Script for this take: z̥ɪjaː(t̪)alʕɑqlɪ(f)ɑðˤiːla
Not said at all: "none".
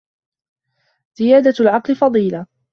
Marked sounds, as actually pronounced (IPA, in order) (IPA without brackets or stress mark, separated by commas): d̪, f